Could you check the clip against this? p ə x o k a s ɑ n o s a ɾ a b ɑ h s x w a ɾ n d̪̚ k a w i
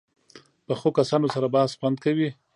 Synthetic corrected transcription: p ə x o k a s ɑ n o s a ɾ a b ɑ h s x w a n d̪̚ k a w i